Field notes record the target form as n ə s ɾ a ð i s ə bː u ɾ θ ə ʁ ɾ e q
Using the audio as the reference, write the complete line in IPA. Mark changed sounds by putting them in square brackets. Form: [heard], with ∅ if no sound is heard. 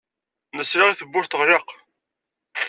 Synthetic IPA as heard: n ə s ɾ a [ʁ] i [θ] ə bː [ʊ] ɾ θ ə ʁ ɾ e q